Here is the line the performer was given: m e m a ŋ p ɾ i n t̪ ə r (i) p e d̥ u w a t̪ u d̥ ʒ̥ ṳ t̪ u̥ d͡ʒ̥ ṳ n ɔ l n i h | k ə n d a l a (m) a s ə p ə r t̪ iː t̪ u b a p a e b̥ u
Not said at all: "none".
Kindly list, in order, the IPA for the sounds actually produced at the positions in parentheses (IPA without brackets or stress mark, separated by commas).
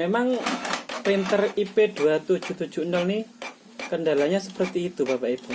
i, ɲ